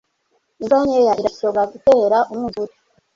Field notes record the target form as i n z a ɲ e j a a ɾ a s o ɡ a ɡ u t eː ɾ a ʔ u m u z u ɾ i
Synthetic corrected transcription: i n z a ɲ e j a i ɾ a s o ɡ a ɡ u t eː ɾ a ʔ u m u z u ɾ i